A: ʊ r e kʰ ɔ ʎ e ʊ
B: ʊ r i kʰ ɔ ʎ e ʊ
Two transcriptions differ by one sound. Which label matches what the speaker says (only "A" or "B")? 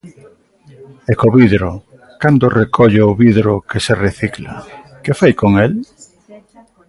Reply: A